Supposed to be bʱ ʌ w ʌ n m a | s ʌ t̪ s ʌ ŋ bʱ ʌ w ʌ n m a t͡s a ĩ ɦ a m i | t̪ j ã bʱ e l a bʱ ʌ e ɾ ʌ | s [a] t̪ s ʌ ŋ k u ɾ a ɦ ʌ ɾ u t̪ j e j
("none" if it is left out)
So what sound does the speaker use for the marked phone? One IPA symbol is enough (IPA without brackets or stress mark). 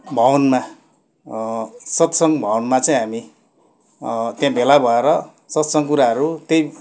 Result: ʌ